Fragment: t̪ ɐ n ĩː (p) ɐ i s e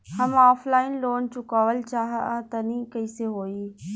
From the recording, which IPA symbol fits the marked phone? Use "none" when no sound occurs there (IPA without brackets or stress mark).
k